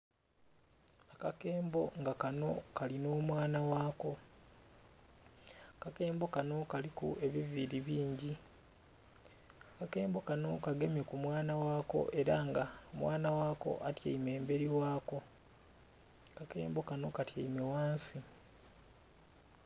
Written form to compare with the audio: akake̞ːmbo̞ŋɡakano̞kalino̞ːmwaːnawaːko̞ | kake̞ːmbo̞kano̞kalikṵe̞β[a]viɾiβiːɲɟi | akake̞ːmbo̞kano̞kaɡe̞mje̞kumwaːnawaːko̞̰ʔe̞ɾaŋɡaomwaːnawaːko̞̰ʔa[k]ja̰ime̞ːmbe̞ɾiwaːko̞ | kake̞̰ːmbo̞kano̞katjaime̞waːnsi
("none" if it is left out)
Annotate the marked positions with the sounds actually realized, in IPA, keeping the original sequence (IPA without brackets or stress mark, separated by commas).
i, t